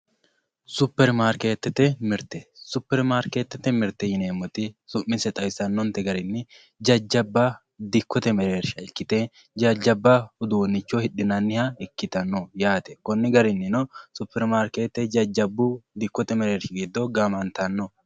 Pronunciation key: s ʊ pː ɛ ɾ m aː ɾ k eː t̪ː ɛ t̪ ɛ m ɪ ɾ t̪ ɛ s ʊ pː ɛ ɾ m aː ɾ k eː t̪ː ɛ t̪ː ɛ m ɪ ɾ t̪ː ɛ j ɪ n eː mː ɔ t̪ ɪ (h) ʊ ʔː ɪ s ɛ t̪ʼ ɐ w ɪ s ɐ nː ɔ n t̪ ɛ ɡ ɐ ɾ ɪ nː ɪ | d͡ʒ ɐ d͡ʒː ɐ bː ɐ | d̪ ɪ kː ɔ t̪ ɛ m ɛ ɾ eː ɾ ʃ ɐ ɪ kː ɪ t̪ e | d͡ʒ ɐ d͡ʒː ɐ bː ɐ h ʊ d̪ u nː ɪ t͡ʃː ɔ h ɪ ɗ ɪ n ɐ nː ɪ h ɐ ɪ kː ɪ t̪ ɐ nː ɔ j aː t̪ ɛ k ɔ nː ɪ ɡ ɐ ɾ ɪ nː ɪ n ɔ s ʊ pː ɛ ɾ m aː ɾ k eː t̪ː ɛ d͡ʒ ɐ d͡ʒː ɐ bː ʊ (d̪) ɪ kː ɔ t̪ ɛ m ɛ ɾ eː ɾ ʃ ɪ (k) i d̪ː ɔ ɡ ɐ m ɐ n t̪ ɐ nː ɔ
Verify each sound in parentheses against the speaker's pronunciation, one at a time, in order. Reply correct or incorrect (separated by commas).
incorrect, correct, incorrect